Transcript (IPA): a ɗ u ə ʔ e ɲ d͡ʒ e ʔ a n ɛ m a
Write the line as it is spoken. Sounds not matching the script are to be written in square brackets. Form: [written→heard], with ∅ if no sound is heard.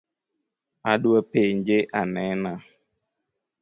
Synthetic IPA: a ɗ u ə [ʔ→p] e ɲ d͡ʒ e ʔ a n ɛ [m→n] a